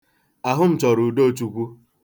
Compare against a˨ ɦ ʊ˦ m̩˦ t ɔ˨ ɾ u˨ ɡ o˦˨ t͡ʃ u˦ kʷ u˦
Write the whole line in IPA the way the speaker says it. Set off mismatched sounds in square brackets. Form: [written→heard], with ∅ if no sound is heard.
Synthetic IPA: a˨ ɦ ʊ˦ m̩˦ [t→t͡ʃ] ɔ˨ ɾ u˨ [ɡ→d] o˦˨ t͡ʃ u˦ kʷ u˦